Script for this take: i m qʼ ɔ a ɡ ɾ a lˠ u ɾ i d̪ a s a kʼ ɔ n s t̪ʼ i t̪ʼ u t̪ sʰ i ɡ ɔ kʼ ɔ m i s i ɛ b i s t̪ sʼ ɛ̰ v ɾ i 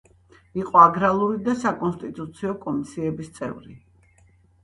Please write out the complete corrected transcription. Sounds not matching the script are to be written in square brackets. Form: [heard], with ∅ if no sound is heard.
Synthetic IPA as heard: i [∅] qʼ ɔ a ɡ ɾ a lˠ u ɾ i d̪ a s a kʼ ɔ n s t̪ʼ i t̪ʼ u t̪ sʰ i [∅] ɔ kʼ ɔ m i s i ɛ b i s t̪ sʼ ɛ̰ v ɾ i